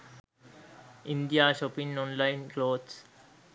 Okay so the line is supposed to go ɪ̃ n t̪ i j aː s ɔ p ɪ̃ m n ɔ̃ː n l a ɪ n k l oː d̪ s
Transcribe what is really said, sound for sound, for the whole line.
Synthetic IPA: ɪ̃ n d̪ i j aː ʃ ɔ p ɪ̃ ŋ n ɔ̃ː n l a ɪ n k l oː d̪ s